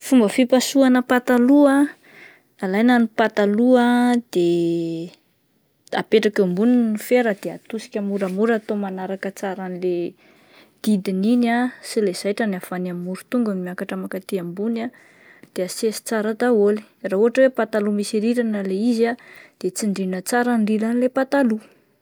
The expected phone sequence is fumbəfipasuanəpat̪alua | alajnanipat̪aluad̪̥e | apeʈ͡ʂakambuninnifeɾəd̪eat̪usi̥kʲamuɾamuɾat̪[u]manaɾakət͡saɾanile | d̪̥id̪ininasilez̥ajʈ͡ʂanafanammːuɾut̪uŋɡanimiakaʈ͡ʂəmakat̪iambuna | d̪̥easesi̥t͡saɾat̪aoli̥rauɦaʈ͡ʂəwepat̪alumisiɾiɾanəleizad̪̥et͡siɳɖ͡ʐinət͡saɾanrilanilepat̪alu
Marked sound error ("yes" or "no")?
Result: yes